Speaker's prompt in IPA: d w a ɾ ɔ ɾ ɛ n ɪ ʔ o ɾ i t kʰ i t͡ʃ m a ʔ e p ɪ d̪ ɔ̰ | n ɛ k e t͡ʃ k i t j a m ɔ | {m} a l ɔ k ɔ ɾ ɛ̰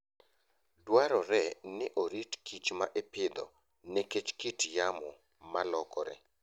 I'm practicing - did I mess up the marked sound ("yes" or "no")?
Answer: no